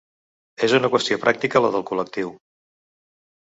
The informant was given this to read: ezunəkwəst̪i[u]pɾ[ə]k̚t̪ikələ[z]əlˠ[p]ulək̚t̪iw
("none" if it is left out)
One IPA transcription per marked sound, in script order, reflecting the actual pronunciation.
o, a, ð, k

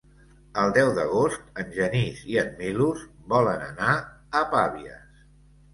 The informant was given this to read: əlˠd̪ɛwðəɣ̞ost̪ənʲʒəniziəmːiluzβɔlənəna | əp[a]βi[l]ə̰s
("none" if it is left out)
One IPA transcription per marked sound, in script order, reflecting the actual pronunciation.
a, none

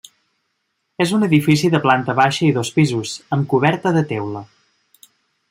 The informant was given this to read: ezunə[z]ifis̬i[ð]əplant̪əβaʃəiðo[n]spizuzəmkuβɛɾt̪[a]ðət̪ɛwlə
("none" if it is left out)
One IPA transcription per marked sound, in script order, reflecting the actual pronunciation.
ð, ð, none, ə

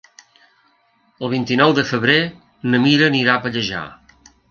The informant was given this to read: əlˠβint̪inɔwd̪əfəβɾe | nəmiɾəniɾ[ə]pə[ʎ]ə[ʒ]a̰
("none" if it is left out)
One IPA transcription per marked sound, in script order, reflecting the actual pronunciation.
a, ʎ, ʒ

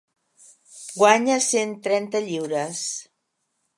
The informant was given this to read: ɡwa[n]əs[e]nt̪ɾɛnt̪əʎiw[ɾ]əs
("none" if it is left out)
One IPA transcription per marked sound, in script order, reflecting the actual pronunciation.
ɲ, e, ɾ

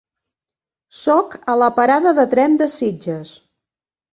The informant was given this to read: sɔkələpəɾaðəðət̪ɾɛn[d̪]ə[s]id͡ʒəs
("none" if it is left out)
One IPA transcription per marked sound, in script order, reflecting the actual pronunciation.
d̪, s

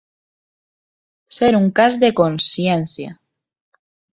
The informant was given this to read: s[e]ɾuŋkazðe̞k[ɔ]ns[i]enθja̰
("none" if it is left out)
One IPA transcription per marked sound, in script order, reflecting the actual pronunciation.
e, o, j

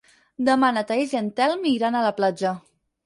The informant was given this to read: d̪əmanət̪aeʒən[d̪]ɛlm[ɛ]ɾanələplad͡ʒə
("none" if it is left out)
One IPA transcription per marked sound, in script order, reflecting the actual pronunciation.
t̪, i

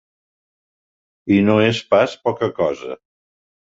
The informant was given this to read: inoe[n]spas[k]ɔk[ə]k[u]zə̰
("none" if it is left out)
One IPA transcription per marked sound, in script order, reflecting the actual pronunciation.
none, p, ə, ɔ

